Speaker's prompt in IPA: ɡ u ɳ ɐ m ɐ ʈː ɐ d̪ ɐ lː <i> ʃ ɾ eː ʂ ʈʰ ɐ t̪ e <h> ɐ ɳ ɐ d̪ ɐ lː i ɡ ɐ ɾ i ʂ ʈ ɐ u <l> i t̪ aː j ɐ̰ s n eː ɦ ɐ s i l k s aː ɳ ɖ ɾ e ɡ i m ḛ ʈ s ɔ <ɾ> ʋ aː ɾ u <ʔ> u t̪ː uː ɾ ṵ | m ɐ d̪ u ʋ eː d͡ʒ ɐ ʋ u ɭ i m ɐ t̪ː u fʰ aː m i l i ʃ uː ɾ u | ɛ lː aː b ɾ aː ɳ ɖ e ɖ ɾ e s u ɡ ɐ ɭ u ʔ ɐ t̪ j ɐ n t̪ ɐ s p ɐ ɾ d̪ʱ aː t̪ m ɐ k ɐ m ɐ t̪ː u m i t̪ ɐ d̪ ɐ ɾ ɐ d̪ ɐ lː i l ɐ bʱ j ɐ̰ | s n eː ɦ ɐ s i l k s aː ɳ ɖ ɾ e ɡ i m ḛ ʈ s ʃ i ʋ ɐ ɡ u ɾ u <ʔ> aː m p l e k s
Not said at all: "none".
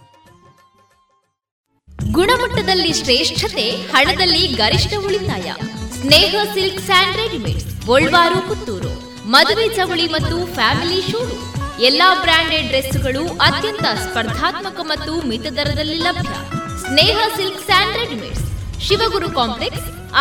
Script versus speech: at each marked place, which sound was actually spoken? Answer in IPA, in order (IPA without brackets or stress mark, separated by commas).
i, h, ɭ, ɭ, k, k